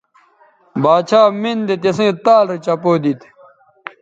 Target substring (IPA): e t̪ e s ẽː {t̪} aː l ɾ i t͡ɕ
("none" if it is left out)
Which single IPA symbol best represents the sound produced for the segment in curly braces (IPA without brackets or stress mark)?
t̪